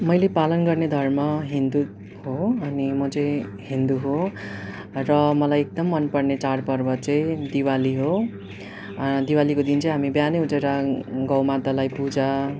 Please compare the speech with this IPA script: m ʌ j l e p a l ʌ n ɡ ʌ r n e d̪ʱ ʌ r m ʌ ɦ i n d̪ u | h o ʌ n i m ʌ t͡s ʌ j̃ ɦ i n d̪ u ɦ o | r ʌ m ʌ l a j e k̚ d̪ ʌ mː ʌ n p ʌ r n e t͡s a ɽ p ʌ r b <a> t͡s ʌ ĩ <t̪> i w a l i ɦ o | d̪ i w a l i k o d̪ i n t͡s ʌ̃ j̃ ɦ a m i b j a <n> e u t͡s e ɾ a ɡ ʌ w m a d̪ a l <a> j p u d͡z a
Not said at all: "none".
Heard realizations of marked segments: ʌ, d̪, n, a

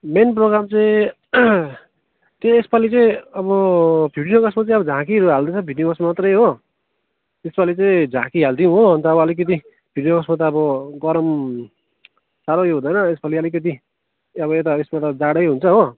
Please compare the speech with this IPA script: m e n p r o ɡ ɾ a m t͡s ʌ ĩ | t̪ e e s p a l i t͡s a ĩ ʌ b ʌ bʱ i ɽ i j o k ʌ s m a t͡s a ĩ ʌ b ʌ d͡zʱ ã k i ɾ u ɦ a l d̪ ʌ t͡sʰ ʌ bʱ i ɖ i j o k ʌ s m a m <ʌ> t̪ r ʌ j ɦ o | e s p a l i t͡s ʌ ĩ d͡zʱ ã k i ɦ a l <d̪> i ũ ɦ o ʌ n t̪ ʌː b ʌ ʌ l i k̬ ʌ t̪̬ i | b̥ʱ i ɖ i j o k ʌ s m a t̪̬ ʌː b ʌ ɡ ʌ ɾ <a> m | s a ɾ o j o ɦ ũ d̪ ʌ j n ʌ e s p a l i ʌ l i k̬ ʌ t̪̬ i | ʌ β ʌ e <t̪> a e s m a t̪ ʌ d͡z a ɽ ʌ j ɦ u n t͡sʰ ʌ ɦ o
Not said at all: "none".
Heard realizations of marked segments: a, d̪, ʌ, t̪

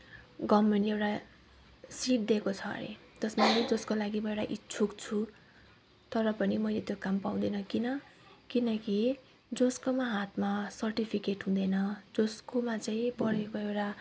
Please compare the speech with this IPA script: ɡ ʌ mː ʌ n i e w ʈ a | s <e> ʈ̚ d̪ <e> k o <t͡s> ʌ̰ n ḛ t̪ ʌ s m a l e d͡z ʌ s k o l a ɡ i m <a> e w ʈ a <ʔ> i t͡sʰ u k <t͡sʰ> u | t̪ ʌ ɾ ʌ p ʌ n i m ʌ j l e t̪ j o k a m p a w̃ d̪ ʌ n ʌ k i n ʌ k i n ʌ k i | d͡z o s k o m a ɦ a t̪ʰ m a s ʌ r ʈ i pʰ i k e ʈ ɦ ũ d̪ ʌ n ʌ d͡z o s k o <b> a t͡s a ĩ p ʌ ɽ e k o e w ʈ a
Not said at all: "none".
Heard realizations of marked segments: i, e, t͡sʰ, ʌ, ʔ, t͡sʰ, m

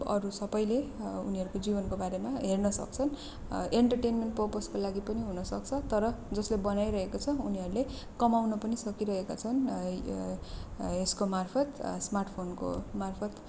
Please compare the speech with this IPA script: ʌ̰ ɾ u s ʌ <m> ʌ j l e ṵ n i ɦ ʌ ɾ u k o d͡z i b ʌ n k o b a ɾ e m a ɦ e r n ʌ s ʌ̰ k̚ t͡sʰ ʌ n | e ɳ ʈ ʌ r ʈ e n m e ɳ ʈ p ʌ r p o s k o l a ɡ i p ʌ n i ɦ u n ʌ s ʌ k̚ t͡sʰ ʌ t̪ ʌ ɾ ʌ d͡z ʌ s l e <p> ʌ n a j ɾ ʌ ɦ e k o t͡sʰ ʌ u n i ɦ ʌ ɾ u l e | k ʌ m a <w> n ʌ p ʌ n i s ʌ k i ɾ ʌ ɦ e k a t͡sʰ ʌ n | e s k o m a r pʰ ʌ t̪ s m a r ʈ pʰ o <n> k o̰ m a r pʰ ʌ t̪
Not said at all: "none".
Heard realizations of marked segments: b, b, w, n

